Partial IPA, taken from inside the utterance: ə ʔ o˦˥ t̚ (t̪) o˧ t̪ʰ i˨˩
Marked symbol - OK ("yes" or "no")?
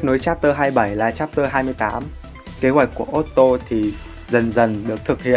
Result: yes